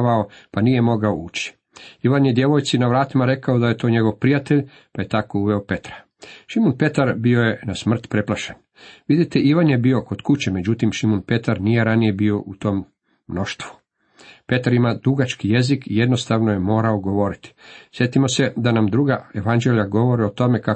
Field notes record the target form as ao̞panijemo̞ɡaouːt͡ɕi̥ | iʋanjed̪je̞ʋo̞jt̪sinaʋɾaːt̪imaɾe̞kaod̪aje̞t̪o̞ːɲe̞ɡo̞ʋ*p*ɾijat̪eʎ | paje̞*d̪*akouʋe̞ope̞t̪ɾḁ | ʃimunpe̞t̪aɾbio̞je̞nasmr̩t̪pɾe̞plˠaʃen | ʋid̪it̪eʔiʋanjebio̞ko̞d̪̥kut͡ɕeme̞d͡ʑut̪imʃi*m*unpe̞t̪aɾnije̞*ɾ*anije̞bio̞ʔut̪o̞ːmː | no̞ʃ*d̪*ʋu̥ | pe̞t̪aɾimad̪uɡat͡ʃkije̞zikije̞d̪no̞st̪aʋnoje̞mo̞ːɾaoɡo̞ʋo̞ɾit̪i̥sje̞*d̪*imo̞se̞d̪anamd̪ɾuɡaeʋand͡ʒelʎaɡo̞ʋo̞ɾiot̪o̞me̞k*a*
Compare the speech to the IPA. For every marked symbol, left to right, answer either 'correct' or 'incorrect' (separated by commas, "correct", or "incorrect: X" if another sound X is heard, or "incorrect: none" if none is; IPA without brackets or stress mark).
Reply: correct, incorrect: t̪, correct, correct, incorrect: t̪, incorrect: t̪, correct